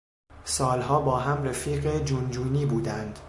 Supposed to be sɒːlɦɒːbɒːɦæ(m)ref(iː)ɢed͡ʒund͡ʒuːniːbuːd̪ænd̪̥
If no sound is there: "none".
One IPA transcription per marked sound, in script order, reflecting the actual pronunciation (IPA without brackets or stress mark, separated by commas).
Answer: m, iː